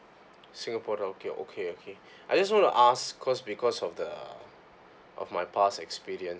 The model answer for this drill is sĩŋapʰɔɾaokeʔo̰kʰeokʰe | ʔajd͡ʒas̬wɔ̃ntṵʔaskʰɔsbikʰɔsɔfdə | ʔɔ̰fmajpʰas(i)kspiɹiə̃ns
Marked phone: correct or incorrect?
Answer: incorrect